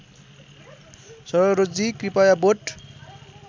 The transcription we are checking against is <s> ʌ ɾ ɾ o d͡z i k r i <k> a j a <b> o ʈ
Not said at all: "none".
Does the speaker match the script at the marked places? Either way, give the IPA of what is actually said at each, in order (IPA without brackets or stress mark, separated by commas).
s, p, b